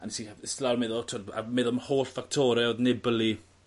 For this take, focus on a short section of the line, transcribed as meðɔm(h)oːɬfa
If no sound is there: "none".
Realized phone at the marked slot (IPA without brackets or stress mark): h